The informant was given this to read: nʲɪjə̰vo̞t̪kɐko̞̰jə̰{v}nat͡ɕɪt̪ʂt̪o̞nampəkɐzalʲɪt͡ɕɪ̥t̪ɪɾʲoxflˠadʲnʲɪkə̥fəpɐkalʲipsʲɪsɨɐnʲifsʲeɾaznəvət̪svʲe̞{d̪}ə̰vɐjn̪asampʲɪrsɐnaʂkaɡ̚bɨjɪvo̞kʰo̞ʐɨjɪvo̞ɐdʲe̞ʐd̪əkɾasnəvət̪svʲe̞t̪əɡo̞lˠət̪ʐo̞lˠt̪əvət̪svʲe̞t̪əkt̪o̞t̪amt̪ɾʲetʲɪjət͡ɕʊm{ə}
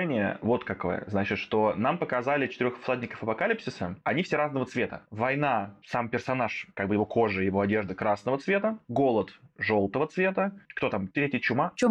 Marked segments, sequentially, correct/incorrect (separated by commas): incorrect, incorrect, incorrect